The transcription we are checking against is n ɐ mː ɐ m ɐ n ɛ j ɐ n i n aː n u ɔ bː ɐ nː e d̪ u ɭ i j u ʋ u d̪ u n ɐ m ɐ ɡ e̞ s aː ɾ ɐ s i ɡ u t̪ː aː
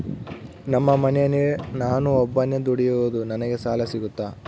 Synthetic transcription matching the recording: n ɐ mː ɐ m ɐ n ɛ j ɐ n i n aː n u ɔ bː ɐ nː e d̪ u ɽ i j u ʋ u d̪ u n ɐ n ɐ ɡ e̞ s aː l ɐ s i ɡ u t̪ː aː